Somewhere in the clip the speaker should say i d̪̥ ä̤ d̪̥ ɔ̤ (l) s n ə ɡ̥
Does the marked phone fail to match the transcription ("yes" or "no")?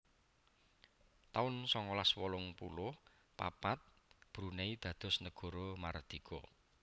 yes